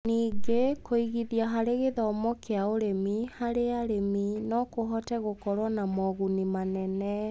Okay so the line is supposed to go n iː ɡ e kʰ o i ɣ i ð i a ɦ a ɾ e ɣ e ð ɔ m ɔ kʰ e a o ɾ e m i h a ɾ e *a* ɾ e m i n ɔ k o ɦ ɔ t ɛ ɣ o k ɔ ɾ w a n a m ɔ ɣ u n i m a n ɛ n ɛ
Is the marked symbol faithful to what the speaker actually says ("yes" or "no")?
yes